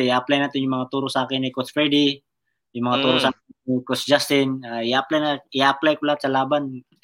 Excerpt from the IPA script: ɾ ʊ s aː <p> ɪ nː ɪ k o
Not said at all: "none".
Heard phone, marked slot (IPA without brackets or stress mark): k